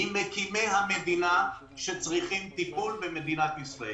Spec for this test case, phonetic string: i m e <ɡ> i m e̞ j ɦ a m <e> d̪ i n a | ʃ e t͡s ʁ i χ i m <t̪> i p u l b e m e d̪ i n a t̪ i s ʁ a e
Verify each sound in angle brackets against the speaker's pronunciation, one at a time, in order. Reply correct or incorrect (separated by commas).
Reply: incorrect, correct, correct